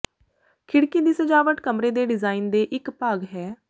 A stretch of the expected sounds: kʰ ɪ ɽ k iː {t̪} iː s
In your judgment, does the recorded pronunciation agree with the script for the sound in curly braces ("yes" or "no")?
no